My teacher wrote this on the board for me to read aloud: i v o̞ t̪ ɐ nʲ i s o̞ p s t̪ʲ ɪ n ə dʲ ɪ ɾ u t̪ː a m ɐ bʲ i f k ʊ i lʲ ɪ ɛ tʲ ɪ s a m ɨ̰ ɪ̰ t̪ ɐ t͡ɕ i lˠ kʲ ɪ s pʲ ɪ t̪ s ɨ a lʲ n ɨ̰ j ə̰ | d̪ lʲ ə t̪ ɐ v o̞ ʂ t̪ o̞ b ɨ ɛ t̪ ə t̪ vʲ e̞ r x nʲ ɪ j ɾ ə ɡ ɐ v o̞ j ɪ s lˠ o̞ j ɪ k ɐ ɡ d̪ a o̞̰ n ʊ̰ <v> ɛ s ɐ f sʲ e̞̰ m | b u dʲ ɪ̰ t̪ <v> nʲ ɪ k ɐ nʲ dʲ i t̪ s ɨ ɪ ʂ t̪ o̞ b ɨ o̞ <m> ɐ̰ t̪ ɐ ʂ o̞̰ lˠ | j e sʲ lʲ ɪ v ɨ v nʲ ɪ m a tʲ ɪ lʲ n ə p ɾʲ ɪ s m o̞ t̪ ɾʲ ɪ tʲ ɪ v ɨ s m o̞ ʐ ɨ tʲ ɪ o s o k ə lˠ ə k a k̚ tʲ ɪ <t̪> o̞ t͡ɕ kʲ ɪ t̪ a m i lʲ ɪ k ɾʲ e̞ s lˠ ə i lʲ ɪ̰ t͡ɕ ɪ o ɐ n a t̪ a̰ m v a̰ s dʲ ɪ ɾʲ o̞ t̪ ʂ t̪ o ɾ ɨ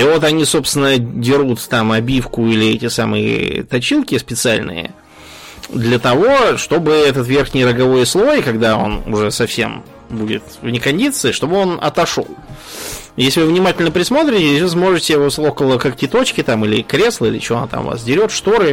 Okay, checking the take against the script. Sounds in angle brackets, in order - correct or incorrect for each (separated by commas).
incorrect, correct, incorrect, correct